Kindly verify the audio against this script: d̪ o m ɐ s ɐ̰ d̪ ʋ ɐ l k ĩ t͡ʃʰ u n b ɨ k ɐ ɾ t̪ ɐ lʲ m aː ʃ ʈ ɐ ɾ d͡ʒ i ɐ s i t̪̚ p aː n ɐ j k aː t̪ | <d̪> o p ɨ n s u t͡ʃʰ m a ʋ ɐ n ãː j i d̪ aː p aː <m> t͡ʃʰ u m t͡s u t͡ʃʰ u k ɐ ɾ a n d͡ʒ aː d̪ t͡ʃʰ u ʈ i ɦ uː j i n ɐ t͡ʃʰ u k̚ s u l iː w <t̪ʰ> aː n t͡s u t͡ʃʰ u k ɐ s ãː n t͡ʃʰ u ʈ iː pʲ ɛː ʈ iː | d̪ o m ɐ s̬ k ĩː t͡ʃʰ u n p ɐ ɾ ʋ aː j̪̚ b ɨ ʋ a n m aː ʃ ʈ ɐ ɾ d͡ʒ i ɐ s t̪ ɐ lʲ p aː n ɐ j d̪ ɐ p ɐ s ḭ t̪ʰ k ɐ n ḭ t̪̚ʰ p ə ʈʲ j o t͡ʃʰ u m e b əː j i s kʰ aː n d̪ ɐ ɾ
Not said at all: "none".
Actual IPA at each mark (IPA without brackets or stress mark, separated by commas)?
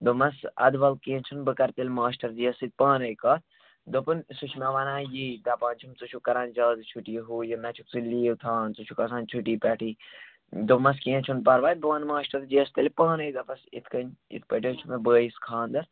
d̪, n, t̪ʰ